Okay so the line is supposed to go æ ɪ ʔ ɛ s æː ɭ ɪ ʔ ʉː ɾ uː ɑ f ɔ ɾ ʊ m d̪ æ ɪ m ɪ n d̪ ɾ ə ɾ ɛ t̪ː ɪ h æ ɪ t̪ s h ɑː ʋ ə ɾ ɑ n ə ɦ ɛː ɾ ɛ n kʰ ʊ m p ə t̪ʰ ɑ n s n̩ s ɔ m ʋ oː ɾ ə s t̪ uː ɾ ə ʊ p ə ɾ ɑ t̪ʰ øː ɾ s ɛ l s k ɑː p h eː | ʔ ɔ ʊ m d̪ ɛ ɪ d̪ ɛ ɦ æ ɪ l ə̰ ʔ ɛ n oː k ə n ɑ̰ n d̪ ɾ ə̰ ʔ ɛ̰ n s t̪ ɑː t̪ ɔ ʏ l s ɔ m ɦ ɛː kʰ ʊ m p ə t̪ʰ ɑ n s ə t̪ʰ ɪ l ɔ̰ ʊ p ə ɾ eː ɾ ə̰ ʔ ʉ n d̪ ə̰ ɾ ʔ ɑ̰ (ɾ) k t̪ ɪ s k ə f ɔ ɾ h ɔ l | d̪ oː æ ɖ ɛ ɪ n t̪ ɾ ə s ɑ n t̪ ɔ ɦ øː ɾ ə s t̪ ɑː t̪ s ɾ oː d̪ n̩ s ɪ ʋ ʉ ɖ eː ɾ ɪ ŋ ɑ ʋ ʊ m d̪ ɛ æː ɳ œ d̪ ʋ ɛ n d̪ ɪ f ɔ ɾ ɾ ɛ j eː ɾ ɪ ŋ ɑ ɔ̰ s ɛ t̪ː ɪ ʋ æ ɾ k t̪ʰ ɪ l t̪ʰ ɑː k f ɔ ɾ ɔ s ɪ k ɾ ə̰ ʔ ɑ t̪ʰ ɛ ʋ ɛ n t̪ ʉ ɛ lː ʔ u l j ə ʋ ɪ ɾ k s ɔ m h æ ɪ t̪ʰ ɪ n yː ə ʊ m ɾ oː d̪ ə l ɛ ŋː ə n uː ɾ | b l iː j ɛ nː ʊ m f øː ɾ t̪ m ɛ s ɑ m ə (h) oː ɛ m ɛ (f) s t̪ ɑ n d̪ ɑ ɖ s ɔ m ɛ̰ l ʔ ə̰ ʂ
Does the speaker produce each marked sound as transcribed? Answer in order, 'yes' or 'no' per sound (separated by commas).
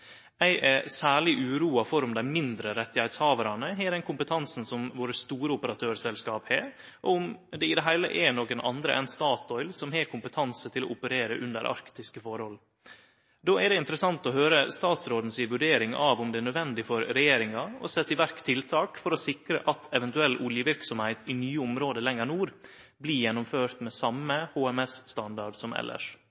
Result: yes, yes, no